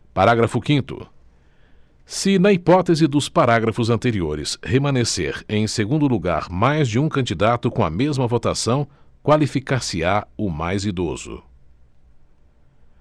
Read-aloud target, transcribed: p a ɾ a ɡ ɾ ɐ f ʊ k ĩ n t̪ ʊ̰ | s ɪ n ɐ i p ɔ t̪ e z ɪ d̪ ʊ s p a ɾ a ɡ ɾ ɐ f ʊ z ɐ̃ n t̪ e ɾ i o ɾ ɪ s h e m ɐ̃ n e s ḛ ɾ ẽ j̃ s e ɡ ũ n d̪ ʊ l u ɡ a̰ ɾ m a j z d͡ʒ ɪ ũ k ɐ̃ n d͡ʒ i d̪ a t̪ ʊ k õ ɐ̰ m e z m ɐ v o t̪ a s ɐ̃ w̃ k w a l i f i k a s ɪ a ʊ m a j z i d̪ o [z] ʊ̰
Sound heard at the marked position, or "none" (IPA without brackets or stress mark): z